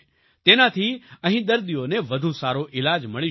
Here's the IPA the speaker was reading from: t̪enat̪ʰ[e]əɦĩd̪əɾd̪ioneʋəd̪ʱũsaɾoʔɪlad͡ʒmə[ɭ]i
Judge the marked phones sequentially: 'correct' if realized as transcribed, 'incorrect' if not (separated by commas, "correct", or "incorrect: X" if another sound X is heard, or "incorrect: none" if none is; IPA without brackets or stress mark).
incorrect: i, correct